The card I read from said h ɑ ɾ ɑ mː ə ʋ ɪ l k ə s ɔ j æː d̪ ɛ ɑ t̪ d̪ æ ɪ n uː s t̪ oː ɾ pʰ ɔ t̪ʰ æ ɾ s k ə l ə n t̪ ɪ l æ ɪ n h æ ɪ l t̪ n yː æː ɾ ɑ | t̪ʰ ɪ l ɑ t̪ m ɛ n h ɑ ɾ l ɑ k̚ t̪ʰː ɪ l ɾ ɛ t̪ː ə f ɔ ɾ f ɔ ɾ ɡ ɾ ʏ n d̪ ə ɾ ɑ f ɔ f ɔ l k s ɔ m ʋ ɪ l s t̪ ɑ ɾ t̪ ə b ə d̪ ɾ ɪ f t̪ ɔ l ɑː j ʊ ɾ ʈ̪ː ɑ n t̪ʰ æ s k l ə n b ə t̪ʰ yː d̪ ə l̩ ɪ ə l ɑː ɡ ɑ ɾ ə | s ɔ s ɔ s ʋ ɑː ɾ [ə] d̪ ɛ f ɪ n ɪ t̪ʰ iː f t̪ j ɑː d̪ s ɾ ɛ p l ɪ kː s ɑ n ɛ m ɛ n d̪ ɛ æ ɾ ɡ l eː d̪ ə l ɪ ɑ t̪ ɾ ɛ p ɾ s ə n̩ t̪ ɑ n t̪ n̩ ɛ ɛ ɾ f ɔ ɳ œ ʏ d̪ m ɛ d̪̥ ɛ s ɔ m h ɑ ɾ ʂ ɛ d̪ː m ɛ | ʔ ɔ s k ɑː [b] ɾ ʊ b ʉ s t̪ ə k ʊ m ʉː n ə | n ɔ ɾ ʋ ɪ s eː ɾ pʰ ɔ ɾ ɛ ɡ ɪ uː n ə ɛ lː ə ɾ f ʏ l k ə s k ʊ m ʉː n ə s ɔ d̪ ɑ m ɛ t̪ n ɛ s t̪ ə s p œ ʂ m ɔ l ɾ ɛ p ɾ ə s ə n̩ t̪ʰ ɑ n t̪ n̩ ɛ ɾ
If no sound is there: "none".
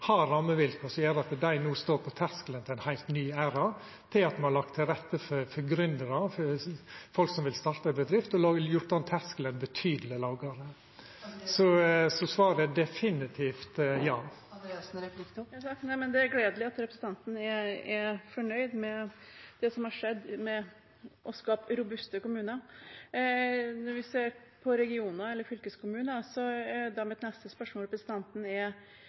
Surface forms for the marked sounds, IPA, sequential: ə, p

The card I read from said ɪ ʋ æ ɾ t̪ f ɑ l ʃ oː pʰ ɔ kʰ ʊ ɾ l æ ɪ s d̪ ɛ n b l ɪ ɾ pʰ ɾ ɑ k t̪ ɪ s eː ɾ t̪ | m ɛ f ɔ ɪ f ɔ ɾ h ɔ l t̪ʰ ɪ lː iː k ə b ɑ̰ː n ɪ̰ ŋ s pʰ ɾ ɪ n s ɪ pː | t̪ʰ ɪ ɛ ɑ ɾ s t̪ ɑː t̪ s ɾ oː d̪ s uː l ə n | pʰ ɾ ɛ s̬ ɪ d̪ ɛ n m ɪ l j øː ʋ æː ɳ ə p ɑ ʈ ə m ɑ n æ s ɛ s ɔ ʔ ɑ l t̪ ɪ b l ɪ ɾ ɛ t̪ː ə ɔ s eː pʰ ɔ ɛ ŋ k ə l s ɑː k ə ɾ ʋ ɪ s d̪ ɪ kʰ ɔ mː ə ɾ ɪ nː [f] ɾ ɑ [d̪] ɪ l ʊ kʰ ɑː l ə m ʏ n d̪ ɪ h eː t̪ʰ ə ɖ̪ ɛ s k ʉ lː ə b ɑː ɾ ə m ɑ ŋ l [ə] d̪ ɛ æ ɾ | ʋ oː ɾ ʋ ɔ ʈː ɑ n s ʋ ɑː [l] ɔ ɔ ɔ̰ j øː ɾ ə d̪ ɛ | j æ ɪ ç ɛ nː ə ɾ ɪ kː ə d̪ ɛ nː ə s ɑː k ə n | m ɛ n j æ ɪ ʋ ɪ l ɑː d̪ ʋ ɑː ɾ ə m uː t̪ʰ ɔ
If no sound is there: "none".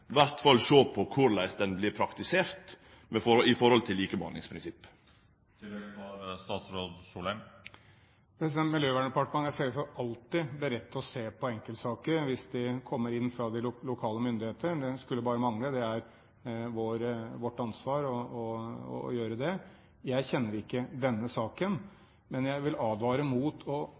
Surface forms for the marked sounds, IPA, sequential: f, d̪, ə, ɾ

